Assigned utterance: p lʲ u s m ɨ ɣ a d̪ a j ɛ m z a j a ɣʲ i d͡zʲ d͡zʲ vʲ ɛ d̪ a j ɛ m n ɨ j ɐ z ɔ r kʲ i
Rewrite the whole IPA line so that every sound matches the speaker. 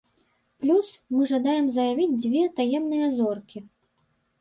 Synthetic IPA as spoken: p lʲ u s m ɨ ʐ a d̪ a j ɛ m z ɐ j a vʲ i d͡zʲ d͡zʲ vʲ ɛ t̪ a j ɛ m n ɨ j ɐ z ɔ r kʲ i